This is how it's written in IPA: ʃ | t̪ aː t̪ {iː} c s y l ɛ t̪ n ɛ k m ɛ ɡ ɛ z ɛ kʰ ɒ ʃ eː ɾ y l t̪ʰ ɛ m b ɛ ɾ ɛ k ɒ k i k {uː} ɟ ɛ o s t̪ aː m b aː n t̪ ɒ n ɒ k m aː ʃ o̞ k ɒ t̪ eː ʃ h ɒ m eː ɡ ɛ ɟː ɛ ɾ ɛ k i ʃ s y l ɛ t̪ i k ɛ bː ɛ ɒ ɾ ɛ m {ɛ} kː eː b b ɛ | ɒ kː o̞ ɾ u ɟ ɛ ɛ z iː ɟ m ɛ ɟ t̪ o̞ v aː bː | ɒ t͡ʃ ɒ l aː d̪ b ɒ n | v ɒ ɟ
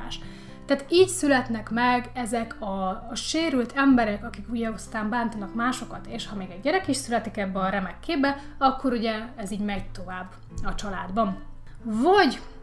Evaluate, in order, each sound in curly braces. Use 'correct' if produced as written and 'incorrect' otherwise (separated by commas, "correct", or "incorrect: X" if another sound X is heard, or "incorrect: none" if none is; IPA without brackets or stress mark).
correct, incorrect: u, correct